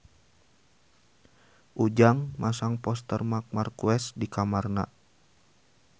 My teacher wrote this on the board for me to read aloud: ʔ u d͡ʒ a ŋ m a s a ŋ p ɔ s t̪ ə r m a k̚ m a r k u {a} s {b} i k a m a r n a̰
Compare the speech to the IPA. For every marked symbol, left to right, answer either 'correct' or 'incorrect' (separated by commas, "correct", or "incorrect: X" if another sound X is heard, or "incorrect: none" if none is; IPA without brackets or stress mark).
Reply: incorrect: ɛ, incorrect: d